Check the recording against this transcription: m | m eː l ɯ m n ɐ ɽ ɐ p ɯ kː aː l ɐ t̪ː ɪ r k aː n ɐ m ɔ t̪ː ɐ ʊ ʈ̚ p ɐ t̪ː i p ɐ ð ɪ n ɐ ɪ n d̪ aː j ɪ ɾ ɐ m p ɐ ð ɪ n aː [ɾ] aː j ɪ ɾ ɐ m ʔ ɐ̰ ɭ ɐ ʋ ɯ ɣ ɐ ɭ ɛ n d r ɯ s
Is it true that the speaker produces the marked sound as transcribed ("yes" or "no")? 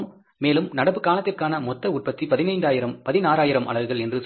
yes